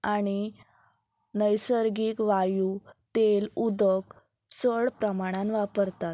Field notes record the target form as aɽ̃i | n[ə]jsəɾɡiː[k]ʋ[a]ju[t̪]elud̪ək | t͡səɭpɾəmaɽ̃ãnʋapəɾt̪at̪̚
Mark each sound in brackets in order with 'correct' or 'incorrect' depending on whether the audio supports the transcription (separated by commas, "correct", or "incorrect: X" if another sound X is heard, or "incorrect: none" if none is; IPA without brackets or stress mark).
correct, correct, correct, correct